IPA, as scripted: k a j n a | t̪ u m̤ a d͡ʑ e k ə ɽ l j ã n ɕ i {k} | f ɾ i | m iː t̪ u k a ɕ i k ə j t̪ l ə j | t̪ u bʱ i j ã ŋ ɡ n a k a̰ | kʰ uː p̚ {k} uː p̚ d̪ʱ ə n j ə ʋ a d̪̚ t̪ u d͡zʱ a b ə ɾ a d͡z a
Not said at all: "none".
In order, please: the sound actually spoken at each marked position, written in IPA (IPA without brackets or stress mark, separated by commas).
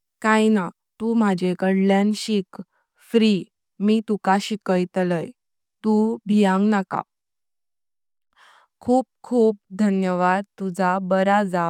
k, kʰ